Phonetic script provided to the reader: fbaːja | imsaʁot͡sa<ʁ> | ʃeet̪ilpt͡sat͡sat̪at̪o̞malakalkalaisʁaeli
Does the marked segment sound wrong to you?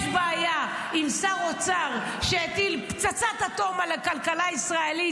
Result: no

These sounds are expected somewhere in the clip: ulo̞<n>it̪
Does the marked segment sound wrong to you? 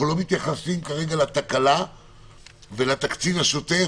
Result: yes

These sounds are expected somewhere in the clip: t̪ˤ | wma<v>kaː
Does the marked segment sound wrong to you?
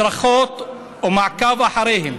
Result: yes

